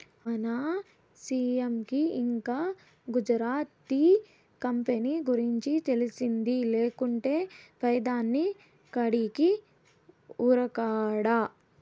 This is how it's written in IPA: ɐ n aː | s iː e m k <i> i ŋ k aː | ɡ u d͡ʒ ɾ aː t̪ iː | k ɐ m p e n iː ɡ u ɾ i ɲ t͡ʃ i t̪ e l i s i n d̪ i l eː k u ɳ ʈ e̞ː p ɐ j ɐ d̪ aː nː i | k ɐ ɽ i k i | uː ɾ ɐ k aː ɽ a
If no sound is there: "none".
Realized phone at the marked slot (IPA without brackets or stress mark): i